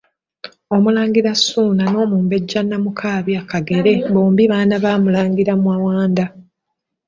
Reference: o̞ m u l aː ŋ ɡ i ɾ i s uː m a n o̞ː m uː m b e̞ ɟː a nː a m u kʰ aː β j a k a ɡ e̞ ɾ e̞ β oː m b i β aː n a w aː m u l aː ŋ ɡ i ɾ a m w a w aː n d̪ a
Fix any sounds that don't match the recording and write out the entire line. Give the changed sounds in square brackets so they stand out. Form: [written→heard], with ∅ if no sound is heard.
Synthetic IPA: o̞ m u l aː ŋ ɡ i ɾ [i→a] s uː [m→n] a n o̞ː m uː m b e̞ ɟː a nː a m u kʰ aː β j a k a ɡ e̞ ɾ e̞ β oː m b i β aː n a [w→β] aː m u l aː ŋ ɡ i ɾ a m w a w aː n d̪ a